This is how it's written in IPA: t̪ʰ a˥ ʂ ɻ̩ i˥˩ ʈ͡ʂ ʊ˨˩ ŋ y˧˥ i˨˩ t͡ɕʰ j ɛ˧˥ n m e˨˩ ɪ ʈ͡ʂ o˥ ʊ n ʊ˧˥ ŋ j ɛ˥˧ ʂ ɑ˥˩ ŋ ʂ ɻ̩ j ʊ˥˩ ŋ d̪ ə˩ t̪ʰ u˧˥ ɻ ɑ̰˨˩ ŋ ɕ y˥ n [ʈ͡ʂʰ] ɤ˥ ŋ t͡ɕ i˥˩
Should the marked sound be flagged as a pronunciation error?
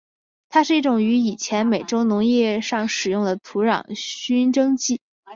yes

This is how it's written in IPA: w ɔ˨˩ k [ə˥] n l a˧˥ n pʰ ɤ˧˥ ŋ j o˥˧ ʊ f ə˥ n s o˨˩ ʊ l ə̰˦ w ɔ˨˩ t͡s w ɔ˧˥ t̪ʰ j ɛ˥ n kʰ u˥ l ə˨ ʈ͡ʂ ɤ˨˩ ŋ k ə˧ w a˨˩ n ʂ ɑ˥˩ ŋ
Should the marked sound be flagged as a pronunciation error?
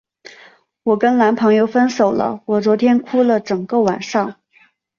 no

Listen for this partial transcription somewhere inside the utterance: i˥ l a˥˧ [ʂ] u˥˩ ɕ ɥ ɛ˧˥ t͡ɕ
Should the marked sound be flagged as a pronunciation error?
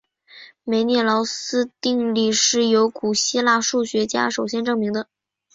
no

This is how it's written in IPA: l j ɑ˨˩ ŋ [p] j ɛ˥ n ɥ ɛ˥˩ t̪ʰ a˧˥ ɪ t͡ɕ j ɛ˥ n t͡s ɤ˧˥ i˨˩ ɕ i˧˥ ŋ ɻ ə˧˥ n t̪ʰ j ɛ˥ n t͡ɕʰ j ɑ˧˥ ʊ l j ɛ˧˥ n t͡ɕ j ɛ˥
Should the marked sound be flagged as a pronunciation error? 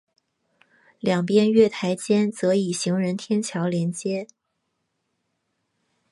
no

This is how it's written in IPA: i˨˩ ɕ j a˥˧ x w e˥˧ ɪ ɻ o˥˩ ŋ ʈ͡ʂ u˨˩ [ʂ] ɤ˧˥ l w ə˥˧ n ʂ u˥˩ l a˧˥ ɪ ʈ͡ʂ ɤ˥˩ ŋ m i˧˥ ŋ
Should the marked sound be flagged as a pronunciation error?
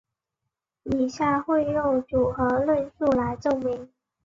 yes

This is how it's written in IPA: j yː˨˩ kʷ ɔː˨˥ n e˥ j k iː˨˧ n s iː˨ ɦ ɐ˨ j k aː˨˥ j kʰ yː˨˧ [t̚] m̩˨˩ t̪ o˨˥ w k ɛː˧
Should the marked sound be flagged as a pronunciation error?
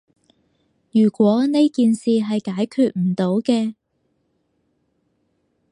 no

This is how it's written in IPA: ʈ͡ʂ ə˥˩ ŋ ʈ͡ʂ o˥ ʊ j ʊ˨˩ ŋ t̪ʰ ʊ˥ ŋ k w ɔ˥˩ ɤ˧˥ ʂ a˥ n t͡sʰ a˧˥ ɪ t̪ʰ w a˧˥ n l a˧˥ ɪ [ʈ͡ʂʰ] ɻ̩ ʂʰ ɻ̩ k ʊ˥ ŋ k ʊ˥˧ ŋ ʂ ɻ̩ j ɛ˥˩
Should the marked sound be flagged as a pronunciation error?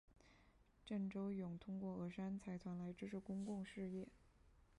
yes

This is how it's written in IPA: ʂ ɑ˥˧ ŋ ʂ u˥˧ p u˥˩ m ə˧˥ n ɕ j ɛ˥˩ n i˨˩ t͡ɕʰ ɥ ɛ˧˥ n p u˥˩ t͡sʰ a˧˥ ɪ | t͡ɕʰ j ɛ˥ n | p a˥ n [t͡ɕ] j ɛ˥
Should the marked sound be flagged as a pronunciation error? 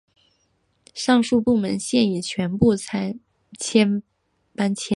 yes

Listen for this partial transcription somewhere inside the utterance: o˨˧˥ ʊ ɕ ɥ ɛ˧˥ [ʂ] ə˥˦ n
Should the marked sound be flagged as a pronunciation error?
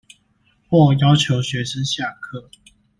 no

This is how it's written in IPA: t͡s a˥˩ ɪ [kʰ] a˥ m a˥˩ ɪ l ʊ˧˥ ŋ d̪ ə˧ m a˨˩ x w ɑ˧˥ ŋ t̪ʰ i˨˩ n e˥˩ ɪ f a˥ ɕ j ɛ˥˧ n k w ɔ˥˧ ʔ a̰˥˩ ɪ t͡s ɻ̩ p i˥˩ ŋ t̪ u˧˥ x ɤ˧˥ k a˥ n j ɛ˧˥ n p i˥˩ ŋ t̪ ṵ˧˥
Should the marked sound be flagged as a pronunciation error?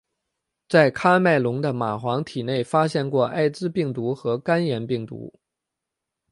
no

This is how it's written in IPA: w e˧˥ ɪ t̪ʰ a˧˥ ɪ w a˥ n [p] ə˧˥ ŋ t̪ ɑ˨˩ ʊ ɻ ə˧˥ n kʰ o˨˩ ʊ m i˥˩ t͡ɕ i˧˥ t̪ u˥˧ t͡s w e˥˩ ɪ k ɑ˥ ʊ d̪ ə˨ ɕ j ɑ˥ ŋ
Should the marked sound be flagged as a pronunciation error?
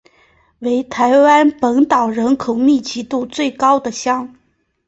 no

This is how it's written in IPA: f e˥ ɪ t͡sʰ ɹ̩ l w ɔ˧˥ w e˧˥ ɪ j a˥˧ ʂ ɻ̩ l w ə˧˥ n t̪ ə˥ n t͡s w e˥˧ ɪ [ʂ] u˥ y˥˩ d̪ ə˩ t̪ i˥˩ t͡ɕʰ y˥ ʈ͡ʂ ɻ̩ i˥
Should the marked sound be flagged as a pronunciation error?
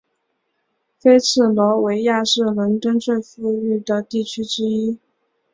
yes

